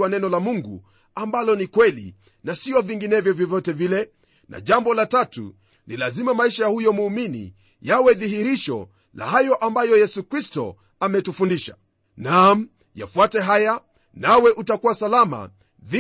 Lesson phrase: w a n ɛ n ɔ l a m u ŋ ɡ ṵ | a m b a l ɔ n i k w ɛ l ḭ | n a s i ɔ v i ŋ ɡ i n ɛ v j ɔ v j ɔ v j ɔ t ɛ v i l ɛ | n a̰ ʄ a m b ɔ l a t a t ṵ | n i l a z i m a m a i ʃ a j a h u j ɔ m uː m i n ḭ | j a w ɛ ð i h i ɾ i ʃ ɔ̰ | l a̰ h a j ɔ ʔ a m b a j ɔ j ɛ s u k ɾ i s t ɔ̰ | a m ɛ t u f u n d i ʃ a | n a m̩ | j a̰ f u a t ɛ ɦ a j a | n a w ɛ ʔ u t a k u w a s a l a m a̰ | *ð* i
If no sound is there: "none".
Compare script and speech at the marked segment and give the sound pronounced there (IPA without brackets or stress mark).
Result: ð